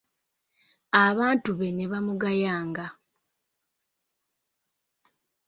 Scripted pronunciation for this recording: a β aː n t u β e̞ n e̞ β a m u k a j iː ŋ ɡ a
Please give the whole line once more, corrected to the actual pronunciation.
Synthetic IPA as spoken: a β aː n t u β e̞ n e̞ β a m u ɡ a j aː ŋ ɡ a